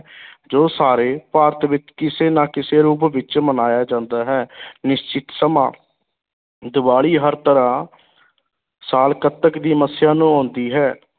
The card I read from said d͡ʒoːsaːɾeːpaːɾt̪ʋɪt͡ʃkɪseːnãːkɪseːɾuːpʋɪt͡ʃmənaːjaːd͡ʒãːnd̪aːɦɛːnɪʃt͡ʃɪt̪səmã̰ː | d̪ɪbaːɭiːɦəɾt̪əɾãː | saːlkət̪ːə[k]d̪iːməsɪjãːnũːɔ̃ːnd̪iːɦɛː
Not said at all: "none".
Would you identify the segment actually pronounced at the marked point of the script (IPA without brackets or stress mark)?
k